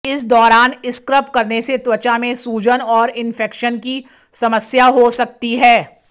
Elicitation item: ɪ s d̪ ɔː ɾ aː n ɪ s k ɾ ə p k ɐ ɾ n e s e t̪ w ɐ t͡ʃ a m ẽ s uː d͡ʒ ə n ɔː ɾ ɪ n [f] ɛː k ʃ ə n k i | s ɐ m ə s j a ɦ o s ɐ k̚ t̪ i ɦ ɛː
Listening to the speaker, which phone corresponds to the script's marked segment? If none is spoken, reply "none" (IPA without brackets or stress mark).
f